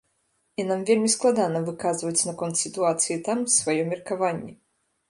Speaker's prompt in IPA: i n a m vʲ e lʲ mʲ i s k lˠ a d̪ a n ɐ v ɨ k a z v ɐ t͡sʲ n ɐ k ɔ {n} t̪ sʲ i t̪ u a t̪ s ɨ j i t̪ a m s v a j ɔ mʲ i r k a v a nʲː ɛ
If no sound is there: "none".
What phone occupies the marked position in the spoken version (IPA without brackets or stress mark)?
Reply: n